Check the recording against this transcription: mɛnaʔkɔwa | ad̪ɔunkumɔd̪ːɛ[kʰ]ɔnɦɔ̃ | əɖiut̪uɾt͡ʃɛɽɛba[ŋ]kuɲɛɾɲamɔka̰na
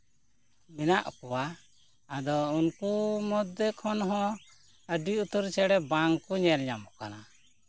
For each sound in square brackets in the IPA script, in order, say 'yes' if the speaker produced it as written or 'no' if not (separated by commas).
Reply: yes, yes